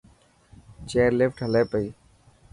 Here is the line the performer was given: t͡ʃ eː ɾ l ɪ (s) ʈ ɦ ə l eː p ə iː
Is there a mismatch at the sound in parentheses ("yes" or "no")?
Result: yes